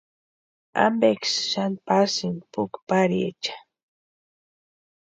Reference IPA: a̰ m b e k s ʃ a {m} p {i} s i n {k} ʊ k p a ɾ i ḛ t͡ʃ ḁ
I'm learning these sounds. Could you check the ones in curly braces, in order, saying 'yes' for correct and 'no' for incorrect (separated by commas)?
no, no, no